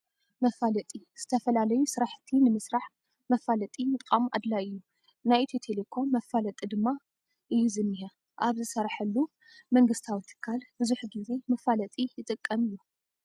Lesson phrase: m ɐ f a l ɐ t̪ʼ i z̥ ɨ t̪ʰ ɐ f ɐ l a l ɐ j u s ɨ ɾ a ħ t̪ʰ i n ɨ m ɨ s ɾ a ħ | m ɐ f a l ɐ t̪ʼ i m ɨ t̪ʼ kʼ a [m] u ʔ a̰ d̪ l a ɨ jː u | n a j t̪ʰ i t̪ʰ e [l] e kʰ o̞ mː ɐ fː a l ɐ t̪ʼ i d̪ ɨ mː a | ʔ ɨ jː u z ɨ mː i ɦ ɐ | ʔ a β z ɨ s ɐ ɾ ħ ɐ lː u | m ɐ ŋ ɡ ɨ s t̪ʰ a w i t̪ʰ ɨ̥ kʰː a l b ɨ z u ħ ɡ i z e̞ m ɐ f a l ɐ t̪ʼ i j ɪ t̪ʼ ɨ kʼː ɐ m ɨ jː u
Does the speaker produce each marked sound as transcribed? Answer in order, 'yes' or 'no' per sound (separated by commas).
yes, yes